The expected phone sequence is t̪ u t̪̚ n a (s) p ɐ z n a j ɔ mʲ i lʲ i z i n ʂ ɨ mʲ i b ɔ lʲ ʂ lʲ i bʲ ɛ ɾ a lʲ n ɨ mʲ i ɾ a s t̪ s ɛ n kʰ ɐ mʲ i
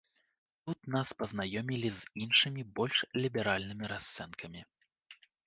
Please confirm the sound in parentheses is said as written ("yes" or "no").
yes